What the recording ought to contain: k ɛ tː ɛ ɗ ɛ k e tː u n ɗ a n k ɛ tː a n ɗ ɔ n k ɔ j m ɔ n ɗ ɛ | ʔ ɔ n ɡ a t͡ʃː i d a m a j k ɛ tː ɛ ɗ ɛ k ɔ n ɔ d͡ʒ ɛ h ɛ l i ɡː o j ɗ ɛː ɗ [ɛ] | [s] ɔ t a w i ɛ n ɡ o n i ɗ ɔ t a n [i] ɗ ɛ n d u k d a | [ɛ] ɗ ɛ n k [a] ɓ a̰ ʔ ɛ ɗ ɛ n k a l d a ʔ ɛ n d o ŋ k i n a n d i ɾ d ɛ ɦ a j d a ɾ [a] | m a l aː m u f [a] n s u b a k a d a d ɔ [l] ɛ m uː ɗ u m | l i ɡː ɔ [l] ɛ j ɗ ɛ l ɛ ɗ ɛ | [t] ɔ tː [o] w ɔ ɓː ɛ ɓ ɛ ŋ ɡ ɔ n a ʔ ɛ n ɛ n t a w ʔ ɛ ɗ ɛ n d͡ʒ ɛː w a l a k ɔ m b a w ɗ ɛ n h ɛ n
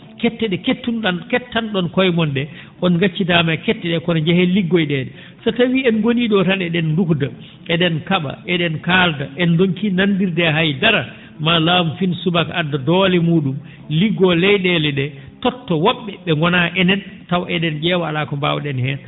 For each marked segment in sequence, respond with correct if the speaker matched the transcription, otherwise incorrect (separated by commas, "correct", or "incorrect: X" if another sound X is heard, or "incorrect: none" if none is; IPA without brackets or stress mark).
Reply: correct, correct, incorrect: ɛ, correct, correct, correct, incorrect: i, correct, correct, correct, incorrect: ɔ